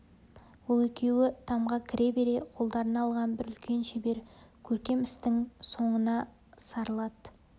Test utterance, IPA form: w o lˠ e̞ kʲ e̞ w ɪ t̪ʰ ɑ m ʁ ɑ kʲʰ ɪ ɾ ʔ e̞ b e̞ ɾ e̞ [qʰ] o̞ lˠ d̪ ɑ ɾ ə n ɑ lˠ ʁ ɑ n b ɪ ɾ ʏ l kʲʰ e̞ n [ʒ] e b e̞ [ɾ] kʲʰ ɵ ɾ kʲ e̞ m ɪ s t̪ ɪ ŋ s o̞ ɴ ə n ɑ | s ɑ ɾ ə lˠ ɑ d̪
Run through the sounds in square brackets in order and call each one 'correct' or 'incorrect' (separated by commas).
correct, incorrect, correct